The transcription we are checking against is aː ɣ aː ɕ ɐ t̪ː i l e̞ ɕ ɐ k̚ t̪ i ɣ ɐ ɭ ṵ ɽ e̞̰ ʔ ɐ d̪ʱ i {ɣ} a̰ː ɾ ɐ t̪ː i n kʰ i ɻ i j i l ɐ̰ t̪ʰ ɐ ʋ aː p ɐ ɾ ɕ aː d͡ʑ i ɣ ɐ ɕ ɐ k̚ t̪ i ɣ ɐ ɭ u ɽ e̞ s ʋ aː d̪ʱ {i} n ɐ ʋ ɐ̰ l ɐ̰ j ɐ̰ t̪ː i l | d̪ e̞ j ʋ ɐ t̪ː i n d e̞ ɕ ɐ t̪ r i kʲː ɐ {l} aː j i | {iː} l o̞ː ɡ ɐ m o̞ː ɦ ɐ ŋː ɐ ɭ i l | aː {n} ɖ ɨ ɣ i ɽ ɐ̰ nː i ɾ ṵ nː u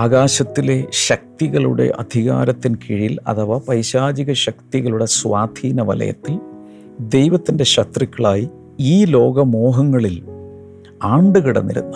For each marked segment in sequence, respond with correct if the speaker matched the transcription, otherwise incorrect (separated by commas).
correct, incorrect, incorrect, correct, incorrect